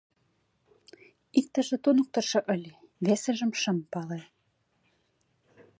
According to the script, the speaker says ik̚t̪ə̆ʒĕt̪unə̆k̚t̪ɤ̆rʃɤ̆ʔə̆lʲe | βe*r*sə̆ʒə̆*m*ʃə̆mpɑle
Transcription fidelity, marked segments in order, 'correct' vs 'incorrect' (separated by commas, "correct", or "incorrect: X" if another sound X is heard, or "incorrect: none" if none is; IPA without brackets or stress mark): incorrect: none, correct